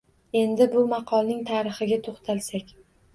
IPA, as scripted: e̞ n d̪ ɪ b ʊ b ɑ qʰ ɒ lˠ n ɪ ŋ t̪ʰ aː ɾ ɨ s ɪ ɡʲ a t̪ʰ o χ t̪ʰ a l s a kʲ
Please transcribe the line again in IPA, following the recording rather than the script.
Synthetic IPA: e̞ n d̪ ɪ b ʊ m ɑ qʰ ɒ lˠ n ɪ ŋ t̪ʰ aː ɾ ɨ χ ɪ ɡʲ a t̪ʰ o χ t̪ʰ a l s a kʲ

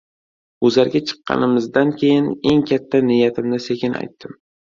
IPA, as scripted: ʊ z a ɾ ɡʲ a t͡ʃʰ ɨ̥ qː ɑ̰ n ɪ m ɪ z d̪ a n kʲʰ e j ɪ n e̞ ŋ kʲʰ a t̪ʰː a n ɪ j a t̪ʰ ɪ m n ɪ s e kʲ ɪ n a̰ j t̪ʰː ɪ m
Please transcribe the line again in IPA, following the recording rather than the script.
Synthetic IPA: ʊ z a ɾ ɡʲ a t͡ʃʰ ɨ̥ qː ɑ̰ n ɪ m ɪ z d̪ a n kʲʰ e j ɪ n e̞ ŋ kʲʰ a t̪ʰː a n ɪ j a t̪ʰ ɪ m n ɪ s e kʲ ɪ n a̰ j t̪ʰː ɪ m

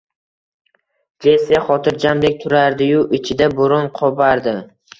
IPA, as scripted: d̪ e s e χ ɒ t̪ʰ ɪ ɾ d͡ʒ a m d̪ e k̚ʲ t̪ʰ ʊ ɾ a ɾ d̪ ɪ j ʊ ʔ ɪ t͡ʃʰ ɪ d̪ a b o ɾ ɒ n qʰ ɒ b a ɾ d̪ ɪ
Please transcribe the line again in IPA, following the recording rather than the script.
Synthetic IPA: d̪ e s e χ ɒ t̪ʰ ɪ ɾ d͡ʒ a m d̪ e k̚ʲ t̪ʰ ʊ ɾ a ɾ d̪ ɪ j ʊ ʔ ɪ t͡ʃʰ ɪ d̪ a b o ɾ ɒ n qʰ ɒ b a ɾ d̪ ɪ

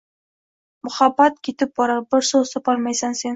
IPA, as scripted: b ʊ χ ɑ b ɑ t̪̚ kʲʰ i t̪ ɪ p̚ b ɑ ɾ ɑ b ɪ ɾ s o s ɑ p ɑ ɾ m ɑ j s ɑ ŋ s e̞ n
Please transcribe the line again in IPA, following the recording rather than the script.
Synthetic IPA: m ʊ χ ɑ b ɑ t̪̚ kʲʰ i t̪ ɪ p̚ b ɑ ɾ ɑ b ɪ ɾ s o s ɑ p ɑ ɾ m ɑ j s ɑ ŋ s e̞ n

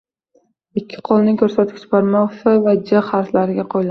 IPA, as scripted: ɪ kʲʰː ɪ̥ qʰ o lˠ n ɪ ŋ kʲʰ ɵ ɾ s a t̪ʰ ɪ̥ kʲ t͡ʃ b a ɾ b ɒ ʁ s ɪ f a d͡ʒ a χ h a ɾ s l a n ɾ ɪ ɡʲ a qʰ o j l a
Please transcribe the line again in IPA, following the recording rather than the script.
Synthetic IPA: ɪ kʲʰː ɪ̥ qʰ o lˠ n ɪ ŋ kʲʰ ɵ ɾ s a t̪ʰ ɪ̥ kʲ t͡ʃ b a ɾ m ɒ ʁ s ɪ v a d͡ʒ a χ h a ɾ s l a ɾ ɪ ɡʲ a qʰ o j l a

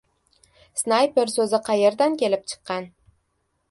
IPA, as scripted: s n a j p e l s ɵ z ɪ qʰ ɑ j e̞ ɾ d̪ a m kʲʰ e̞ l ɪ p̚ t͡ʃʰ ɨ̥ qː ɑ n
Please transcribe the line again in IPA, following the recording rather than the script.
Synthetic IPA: s n a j p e ɾ s ɵ z ɪ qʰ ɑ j e̞ ɾ d̪ a n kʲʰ e̞ l ɪ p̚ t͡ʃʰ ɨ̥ qː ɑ n

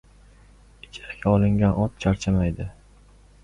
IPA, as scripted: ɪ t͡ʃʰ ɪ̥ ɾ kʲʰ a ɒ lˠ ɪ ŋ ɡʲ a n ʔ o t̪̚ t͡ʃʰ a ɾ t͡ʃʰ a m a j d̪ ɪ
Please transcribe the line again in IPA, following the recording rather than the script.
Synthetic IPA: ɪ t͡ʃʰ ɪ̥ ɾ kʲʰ a ɒ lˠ ɪ ŋ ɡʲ a n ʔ ɒ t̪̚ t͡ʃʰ a ɾ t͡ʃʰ a m a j d̪ ɪ

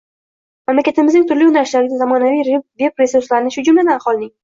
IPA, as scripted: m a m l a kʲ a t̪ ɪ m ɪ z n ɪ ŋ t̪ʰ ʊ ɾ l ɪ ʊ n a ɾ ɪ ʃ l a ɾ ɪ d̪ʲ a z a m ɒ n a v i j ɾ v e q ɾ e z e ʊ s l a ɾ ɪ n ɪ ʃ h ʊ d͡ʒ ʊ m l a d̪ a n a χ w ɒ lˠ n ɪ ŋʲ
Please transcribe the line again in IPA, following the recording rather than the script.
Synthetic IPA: m a m l a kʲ a t̪ ɪ m ɪ z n ɪ ŋ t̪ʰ ʊ ɾ l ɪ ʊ n a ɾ ɪ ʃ l a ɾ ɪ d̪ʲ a z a m ɒ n a v i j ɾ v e p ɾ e s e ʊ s l a ɾ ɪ n ɪ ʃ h ʊ d͡ʒ ʊ m l a d̪ a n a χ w ɒ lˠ n ɪ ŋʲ

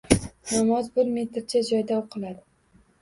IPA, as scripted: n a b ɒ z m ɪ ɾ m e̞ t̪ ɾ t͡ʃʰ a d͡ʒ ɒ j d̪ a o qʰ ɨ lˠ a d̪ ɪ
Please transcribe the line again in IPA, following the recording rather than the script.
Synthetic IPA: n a m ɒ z b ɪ ɾ m e̞ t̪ ɾ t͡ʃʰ a d͡ʒ ɒ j d̪ a o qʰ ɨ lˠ a d̪ ɪ

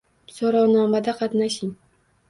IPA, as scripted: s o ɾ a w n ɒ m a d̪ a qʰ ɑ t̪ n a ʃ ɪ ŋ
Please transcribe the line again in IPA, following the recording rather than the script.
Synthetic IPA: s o ɾ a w n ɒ m a d̪ a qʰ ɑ t̪ n a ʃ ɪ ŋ

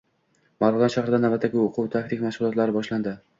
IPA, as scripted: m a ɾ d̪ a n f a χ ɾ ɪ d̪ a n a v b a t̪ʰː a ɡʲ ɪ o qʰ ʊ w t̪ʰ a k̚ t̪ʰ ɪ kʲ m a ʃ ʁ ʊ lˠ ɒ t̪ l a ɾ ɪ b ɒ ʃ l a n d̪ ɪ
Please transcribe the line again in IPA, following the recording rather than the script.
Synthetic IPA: m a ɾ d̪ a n ʃ a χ ɾ ɪ d̪ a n a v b a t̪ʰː a ɡʲ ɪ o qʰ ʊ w t̪ʰ a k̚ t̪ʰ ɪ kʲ m a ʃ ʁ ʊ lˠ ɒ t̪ l a ɾ ɪ b ɒ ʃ l a n d̪ ɪ

